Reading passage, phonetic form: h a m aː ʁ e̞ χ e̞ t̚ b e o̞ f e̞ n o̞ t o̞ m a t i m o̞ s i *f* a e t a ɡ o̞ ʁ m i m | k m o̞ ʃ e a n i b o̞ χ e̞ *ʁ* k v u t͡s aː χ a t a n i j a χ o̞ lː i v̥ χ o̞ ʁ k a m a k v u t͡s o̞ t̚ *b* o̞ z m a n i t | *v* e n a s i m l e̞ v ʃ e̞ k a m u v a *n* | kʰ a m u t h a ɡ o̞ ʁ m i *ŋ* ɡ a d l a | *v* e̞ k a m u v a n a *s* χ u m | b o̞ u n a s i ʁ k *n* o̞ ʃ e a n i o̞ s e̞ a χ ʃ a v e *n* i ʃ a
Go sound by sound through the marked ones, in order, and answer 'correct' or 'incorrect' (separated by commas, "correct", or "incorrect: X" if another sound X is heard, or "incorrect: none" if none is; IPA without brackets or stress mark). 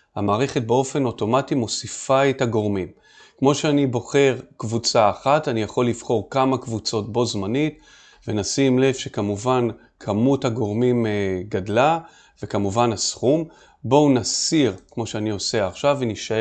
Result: correct, correct, correct, correct, correct, incorrect: m, correct, correct, incorrect: m, correct